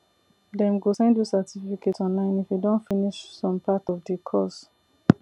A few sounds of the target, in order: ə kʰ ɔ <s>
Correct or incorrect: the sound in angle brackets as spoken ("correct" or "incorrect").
correct